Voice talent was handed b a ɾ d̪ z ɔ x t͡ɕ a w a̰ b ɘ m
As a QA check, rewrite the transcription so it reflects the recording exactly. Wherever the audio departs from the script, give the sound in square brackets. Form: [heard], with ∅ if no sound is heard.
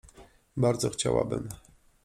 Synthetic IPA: b a ɾ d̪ z ɔ x t͡ɕ a w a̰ b ɘ m